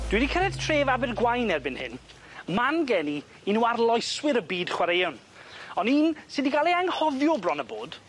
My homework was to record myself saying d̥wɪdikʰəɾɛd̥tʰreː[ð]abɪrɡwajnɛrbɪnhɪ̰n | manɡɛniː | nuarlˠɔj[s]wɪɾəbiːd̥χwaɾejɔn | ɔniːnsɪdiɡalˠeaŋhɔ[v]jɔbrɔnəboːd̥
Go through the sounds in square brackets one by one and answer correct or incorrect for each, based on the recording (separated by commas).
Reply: incorrect, correct, incorrect